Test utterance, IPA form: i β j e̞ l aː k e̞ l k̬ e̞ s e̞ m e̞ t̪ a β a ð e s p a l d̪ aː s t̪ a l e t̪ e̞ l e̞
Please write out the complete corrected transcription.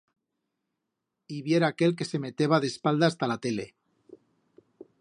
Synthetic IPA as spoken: i β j e̞ ɾ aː k e̞ l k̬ e̞ s e̞ m e̞ t̪ e β a ð e s p a l d̪ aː s t̪ a l a t̪ e̞ l e̞